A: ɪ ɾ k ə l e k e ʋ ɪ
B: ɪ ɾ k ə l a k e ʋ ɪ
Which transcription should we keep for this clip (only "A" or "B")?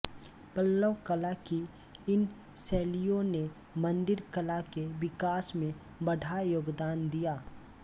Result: B